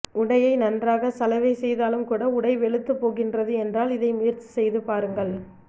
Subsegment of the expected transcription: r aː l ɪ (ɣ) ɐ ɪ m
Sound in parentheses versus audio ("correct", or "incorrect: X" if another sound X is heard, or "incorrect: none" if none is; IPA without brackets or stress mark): incorrect: ð